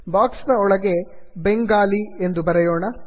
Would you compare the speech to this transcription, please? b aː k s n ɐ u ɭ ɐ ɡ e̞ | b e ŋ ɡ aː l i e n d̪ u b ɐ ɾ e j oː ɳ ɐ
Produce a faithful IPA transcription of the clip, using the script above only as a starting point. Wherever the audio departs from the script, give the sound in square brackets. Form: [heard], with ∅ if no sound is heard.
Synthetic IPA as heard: b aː k s n ɐ [ɔ] ɭ ɐ ɡ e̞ | b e ŋ ɡ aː l i e n d̪ u b ɐ ɾ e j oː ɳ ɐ